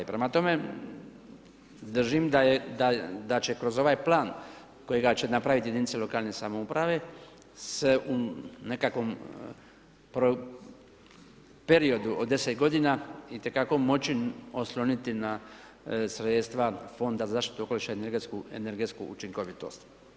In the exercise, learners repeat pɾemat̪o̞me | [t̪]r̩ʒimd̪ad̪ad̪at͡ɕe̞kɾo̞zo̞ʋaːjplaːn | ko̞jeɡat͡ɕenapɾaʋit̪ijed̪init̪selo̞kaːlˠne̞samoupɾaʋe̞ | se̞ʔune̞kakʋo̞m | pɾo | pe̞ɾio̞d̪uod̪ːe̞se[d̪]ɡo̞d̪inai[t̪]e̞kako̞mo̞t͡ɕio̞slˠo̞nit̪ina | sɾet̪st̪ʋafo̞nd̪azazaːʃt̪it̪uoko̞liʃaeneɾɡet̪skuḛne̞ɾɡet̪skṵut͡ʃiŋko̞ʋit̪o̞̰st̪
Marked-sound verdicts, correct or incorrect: incorrect: d̪, incorrect: t̪, correct

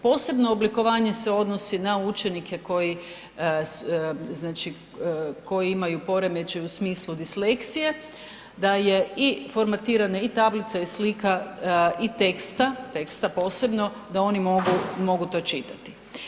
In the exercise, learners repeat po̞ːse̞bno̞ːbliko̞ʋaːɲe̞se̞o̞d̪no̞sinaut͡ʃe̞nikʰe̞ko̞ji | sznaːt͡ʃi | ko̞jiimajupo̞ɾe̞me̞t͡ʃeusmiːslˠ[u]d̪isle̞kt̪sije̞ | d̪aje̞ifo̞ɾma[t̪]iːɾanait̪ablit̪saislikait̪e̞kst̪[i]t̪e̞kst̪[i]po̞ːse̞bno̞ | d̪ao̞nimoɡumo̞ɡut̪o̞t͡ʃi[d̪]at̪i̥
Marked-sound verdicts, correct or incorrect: correct, correct, incorrect: a, incorrect: a, incorrect: t̪

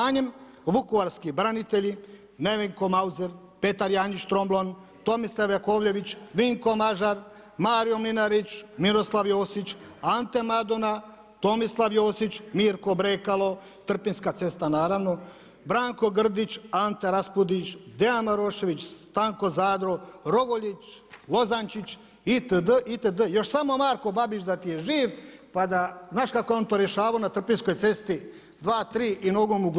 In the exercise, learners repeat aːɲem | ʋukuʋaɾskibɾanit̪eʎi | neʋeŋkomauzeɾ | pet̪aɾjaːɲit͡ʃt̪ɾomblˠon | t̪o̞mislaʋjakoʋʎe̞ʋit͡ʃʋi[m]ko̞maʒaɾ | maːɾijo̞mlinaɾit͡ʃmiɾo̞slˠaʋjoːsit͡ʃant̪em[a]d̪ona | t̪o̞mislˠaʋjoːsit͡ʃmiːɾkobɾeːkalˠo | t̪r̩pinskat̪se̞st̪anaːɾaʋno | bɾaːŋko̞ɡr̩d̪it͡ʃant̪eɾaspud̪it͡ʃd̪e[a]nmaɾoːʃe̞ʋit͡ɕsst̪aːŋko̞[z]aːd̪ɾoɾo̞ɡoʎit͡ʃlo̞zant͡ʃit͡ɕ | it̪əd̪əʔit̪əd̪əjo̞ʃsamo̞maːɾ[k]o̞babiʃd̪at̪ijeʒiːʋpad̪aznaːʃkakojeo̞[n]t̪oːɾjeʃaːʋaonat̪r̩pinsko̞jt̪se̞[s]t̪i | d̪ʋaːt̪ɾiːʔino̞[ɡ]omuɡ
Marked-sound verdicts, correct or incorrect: incorrect: ŋ, correct, correct, correct, correct, correct, correct, correct

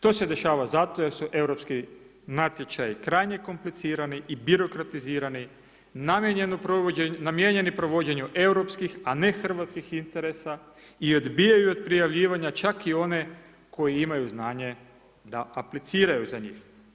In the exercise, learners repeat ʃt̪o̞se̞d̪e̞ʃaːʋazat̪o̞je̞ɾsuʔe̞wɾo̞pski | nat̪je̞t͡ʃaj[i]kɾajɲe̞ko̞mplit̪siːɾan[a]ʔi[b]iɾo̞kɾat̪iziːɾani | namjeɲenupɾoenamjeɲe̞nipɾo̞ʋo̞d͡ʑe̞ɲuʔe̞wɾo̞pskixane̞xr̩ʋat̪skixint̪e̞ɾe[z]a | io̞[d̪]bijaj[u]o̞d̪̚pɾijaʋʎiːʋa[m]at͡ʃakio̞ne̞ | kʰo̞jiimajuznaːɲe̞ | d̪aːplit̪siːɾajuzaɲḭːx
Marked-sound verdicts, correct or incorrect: correct, incorrect: i, correct, incorrect: s, correct, correct, incorrect: ɲ

